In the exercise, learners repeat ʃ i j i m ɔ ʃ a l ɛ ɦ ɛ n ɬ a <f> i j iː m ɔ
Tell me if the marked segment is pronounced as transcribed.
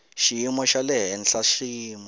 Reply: no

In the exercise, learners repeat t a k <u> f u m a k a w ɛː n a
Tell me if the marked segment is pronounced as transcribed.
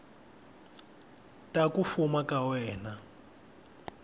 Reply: yes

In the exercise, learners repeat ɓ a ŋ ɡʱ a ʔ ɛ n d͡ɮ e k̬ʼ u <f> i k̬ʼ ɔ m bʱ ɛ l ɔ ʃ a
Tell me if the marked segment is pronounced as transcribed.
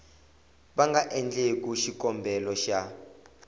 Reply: no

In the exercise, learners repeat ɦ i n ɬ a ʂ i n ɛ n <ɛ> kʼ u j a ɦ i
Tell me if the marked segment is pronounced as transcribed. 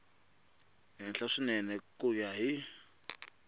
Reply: yes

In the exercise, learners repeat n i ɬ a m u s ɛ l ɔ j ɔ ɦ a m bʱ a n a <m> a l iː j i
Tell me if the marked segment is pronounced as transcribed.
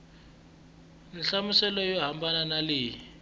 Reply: no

